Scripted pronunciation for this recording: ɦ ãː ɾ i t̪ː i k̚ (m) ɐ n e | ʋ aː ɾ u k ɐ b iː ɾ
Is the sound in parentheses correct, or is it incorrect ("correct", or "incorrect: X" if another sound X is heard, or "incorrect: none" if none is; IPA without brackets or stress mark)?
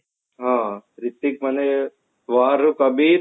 correct